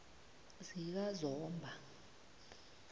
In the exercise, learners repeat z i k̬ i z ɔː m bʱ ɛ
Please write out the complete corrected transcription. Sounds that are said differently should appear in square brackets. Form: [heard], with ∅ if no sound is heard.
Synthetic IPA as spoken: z i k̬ [a] z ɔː m bʱ [a]

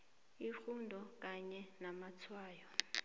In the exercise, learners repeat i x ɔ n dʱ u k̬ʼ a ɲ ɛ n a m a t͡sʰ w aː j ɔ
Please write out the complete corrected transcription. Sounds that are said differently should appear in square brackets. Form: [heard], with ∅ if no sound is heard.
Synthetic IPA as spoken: i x [u] n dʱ [ɔ] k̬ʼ a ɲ ɛ n a m a t͡sʰ w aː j ɔ

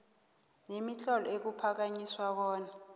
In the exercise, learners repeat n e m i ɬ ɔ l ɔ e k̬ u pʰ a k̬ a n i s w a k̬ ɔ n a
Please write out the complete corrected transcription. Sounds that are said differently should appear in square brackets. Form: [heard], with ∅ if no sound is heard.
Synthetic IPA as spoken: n e m i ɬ ɔ l ɔ e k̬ u pʰ a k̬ a [ɲ] i s w a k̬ [ɔː] n a

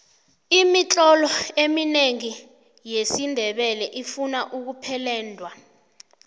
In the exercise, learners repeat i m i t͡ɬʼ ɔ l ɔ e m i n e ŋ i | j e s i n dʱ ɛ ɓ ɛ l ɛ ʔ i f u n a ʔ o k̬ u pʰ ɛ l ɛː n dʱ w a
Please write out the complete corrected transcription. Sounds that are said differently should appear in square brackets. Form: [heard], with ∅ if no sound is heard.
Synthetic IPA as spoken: i m i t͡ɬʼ ɔ l ɔ e m i n e ŋ i | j e s i n dʱ ɛ ɓ ɛ l ɛ ʔ i f u n a ʔ [u] k̬ u pʰ ɛ l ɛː n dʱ w a

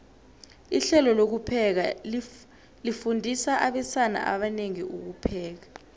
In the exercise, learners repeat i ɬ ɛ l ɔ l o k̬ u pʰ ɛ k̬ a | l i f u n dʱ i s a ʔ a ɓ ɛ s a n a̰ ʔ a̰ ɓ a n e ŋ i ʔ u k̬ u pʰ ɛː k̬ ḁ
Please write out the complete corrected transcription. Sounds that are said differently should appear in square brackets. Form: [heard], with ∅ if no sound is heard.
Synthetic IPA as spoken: i ɬ ɛ l ɔ l o k̬ u pʰ ɛ k̬ a | l i f u n dʱ i s a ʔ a ɓ ɛ s a n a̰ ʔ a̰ ɓ a n e ŋ i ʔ u k̬ u pʰ ɛː k̬ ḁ

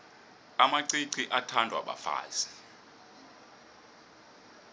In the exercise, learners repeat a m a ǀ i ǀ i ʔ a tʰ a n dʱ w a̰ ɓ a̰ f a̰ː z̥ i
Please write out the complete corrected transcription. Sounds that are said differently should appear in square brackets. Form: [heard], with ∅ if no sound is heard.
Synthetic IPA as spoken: a m a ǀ i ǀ i ʔ a tʰ a n dʱ w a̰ ɓ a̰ f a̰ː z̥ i

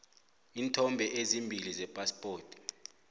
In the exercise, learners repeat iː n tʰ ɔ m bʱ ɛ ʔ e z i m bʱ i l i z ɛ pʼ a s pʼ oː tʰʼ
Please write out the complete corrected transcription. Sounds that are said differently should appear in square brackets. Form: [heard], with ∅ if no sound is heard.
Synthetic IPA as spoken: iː n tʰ ɔ m bʱ ɛ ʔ e z i m bʱ i l i z ɛ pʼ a s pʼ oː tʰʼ

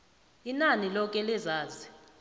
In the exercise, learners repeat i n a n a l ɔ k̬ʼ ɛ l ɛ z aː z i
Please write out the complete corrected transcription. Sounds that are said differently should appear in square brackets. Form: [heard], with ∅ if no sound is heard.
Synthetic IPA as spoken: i n a n [i] l ɔ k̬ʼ ɛ l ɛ z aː z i

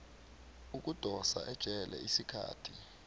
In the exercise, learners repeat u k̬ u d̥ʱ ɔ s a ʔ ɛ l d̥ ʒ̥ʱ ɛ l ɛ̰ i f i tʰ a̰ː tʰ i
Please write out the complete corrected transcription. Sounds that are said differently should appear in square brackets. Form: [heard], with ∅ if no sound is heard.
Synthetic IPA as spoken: u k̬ u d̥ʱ ɔ s a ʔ ɛ [∅] d̥ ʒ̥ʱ ɛ l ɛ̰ i [s] i [kʰ] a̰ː tʰ i

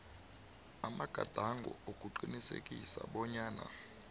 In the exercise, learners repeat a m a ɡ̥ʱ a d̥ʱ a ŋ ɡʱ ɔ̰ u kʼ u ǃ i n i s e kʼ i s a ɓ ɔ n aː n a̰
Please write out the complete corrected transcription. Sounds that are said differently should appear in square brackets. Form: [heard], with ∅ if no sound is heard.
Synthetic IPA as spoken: a m a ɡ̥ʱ a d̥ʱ a ŋ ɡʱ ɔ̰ [o] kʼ u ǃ i n i s e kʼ i s a ɓ ɔ [ɲ] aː n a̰

